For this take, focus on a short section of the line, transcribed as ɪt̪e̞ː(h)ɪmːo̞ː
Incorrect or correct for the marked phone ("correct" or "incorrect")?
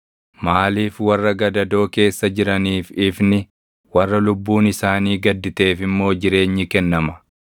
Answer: incorrect